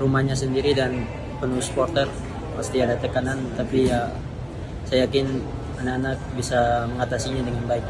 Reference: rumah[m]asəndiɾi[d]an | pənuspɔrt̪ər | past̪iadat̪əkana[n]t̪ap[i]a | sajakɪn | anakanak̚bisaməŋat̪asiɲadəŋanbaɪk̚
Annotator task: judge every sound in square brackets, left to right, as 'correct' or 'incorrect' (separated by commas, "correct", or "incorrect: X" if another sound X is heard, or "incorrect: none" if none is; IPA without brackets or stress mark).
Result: incorrect: ɲ, correct, correct, correct